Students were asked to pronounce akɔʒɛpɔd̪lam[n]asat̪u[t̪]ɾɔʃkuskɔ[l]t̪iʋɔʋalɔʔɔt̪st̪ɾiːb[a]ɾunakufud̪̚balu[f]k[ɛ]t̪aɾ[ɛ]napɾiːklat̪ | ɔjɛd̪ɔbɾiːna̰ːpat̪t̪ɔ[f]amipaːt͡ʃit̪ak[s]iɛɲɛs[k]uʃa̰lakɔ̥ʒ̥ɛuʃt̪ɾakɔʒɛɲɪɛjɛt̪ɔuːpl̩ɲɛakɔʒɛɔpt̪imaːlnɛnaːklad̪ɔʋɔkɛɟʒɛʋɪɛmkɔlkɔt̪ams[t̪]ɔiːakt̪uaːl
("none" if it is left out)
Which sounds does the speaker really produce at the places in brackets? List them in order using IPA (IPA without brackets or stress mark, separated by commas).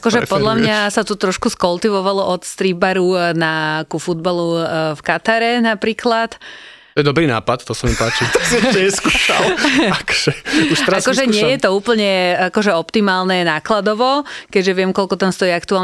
ɲ, t̪, l, a, f, a, ɛ, s, s, k, t̪